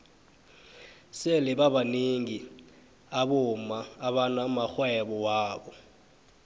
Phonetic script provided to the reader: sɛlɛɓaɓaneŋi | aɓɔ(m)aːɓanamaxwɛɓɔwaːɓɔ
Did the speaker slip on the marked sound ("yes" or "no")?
no